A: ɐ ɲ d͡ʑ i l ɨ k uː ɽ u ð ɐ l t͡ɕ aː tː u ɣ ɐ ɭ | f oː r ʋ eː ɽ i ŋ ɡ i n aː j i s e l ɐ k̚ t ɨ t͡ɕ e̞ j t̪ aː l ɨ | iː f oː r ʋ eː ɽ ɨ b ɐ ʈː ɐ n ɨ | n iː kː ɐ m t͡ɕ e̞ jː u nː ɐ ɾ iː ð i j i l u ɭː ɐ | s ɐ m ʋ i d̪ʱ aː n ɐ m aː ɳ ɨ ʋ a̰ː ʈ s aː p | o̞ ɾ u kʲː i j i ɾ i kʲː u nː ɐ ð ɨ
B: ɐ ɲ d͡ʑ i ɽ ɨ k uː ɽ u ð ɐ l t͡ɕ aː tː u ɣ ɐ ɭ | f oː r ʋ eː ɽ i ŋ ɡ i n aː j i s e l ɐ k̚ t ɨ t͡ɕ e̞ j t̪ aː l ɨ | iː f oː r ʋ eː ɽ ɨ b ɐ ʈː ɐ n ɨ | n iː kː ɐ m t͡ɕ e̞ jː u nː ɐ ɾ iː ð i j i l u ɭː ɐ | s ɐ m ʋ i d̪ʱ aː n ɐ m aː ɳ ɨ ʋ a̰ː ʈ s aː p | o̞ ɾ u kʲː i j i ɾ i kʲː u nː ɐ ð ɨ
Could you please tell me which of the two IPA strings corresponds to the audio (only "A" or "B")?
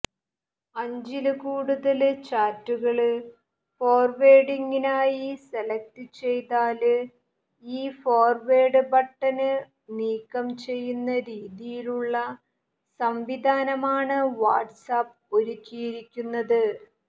A